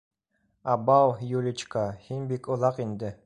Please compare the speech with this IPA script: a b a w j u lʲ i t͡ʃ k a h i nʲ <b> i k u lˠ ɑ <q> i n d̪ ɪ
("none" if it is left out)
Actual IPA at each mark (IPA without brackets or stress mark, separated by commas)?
b, q